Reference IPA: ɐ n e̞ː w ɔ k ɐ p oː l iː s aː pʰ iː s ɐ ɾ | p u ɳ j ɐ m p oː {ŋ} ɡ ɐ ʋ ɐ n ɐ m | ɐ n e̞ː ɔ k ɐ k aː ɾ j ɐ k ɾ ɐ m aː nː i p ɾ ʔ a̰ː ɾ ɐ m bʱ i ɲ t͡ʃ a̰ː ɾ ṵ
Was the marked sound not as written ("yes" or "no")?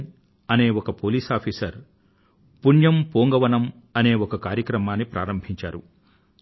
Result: no